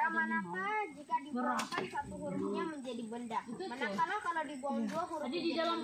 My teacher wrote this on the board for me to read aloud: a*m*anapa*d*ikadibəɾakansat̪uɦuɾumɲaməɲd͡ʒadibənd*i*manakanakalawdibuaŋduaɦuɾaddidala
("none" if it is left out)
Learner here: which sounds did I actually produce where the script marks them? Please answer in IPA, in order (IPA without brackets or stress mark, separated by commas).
m, d͡ʒ, a